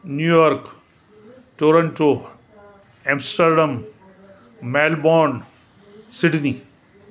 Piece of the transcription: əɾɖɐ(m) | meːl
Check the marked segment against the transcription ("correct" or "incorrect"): correct